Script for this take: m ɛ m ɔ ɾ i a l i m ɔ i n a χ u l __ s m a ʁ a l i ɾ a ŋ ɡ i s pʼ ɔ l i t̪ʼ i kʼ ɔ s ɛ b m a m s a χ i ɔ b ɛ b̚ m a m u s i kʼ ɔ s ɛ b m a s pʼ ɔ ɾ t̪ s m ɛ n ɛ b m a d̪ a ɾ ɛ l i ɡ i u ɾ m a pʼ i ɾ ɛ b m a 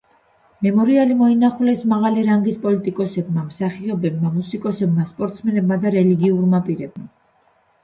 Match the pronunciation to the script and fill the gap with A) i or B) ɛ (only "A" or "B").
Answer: B